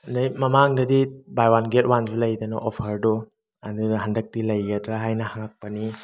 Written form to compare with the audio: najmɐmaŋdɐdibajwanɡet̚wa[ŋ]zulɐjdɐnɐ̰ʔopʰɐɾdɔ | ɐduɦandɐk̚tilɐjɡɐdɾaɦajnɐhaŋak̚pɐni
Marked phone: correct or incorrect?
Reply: incorrect